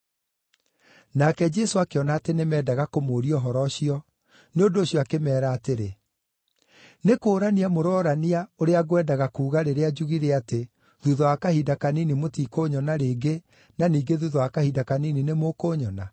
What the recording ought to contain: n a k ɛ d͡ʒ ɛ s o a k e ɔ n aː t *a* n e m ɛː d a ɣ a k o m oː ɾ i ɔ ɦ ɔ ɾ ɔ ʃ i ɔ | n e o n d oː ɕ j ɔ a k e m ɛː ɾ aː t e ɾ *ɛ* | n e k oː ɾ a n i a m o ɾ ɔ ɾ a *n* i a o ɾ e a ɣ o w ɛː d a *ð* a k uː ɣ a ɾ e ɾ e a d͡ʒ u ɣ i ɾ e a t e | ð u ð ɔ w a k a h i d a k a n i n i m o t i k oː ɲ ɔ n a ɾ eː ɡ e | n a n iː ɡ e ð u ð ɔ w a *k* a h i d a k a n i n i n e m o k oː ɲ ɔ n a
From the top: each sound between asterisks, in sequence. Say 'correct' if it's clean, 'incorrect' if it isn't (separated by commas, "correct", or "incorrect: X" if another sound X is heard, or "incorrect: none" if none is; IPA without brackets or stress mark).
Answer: incorrect: e, incorrect: e, correct, incorrect: ɣ, correct